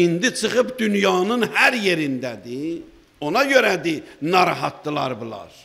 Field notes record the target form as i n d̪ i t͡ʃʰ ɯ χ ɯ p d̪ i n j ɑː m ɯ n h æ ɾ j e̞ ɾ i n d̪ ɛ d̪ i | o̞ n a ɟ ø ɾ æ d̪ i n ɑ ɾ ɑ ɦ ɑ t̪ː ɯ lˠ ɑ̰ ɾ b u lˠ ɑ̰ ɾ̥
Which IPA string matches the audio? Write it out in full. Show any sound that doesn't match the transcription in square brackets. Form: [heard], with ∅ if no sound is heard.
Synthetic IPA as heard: i n d̪ i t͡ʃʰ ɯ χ ɯ p d̪ [y] n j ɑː [n] ɯ n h æ ɾ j e̞ ɾ i n d̪ [æ] d̪ i | o̞ n [ɑ] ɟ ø ɾ æ d̪ i n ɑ ɾ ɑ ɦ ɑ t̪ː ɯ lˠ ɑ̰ ɾ b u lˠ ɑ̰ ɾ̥